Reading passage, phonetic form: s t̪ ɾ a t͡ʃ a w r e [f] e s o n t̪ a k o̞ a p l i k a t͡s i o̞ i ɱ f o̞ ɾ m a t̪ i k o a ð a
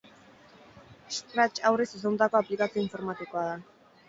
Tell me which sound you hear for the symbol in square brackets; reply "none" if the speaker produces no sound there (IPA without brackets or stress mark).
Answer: s